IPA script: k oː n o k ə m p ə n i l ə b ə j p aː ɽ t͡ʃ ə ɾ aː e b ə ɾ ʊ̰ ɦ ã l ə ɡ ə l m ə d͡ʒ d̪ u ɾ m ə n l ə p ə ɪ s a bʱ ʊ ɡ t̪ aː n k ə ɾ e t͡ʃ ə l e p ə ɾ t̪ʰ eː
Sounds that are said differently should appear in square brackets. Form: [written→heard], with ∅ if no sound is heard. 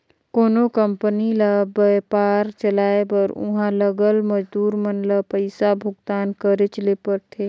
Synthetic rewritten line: k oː n o k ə m p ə n i l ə b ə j p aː [ɽ→ɾ] t͡ʃ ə [ɾ→l] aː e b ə ɾ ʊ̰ ɦ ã l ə ɡ ə l m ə d͡ʒ d̪ [u→uː] ɾ m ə n l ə p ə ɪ s a bʱ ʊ ɡ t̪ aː n k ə ɾ e t͡ʃ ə l e p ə ɾ t̪ʰ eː